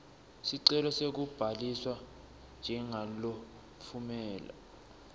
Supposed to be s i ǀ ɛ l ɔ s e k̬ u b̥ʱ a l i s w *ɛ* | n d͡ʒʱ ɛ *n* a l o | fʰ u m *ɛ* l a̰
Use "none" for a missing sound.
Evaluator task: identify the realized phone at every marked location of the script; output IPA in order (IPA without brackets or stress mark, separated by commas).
a, ŋ, ɛː